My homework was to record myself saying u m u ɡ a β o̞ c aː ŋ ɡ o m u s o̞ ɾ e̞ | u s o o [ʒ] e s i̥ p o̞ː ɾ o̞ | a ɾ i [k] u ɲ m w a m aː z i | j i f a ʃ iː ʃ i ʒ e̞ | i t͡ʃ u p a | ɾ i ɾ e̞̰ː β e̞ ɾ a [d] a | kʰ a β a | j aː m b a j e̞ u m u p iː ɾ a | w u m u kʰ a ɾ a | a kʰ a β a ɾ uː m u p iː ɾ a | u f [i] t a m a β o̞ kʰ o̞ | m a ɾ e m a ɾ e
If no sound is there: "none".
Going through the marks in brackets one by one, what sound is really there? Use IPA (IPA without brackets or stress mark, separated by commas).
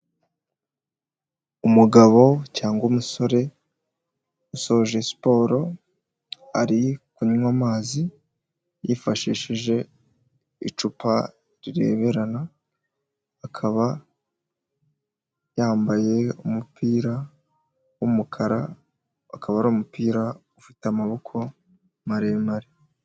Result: ʒ, k, n, i